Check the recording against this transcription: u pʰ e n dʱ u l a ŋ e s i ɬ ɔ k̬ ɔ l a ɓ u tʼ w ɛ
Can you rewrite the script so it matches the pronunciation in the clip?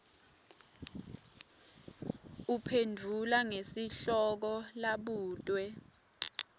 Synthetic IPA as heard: u pʰ e n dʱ u l a ŋ e s i ɬ ɔ k̬ ɔ l a ɓ uː tʼ w ɛ